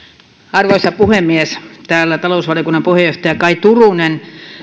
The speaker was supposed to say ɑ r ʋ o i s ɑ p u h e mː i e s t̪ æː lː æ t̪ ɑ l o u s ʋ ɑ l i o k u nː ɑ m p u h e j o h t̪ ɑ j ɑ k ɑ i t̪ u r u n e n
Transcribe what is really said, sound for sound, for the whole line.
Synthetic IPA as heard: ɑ r ʋ o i s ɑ p u h e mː i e s t̪ æː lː æ t̪ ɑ l o u s ʋ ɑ l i o k u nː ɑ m p u h e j o h t̪ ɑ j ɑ k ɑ i t̪ u r u n e n